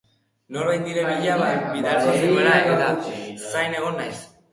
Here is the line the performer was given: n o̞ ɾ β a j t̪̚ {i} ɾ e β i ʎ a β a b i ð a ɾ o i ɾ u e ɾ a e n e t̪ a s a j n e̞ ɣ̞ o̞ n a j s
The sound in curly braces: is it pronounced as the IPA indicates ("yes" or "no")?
yes